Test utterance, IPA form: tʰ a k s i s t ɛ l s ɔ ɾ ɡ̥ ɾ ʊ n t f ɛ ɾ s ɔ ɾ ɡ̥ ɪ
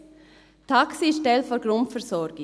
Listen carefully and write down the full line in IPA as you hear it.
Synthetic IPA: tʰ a k s i ʃ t ɛ l f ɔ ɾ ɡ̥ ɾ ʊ n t f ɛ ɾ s ɔ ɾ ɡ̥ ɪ